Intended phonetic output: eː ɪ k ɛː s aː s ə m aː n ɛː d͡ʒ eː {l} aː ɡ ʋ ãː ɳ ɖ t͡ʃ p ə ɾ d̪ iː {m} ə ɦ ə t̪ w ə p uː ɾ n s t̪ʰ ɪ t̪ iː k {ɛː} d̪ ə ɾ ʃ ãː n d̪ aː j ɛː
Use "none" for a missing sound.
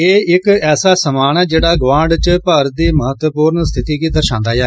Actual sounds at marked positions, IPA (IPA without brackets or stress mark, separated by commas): ɽ, m, iː